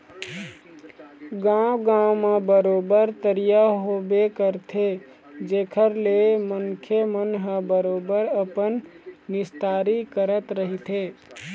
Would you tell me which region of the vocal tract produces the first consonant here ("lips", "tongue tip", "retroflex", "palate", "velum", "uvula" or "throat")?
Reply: velum